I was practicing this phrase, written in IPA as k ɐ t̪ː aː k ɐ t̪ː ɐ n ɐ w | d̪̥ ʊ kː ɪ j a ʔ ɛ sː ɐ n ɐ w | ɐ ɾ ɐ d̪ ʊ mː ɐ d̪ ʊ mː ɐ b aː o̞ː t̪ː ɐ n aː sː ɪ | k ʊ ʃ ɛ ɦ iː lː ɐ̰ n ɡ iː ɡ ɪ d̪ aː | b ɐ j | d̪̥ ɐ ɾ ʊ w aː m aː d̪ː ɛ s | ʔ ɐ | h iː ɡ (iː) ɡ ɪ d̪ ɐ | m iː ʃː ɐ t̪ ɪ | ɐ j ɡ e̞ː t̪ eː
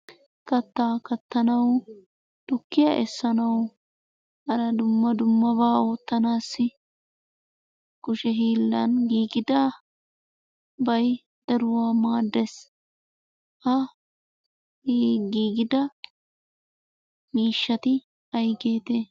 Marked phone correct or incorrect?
correct